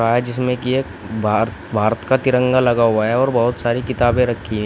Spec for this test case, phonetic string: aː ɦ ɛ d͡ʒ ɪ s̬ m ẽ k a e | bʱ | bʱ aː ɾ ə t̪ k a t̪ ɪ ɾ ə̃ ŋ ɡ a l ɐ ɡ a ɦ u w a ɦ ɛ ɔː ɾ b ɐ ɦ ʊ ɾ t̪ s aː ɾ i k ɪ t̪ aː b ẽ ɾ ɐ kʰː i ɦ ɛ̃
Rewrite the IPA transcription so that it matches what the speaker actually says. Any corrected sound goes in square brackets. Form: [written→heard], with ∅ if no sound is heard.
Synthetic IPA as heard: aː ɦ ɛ d͡ʒ ɪ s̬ m ẽ k [a→i] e | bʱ | bʱ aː ɾ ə t̪ k a t̪ ɪ ɾ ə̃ ŋ ɡ a l ɐ ɡ a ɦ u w a ɦ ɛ ɔː ɾ b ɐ ɦ ʊ [ɾ→∅] t̪ s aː ɾ i k ɪ t̪ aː b ẽ ɾ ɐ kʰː i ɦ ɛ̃